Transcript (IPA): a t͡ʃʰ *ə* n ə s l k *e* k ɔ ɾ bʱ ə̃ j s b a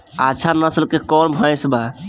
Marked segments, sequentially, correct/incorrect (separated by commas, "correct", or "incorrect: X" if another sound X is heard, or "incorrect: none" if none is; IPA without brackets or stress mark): incorrect: a, correct